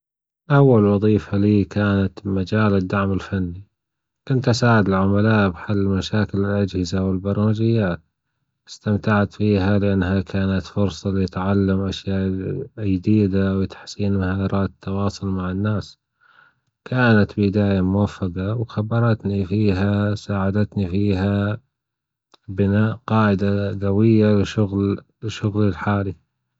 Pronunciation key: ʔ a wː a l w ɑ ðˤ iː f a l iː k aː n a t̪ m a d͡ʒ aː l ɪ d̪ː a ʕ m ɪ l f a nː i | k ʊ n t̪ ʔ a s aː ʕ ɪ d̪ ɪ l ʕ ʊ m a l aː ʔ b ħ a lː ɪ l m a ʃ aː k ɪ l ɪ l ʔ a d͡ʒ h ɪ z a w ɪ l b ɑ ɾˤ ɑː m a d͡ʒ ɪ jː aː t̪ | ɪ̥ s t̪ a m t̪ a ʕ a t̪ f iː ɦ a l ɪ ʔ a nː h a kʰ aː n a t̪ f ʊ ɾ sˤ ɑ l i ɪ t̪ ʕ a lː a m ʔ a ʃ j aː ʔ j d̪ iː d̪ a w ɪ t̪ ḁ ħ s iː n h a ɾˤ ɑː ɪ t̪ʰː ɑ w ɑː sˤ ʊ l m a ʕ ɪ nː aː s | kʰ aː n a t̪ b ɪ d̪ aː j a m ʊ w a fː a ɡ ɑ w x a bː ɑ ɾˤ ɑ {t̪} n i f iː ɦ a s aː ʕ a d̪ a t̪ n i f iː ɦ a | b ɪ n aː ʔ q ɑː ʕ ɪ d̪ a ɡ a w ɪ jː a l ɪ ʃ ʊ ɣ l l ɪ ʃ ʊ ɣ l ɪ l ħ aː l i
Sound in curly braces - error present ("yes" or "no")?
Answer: no